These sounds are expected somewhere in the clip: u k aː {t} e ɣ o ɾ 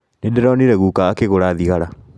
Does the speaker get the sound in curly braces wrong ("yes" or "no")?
yes